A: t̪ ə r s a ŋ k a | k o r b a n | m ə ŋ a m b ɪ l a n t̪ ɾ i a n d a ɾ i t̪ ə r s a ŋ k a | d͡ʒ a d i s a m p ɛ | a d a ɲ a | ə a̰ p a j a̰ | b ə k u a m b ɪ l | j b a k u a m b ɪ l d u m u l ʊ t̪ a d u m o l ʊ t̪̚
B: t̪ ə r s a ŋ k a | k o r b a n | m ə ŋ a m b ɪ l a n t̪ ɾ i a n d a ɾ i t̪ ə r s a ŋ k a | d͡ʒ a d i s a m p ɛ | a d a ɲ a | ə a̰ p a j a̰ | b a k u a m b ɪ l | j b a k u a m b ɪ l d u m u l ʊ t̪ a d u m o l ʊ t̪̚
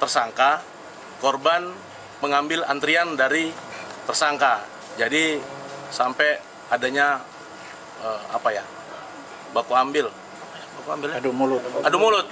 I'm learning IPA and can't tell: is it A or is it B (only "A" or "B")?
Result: B